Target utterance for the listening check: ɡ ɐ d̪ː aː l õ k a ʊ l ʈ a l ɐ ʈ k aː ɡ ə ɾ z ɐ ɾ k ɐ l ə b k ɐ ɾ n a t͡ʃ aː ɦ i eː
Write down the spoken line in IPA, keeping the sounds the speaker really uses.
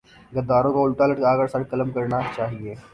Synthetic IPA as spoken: ɡ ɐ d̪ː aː ɾ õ k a ʊ l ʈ a l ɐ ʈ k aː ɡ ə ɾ s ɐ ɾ k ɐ l ə m k ɐ ɾ n a t͡ʃ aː ɦ i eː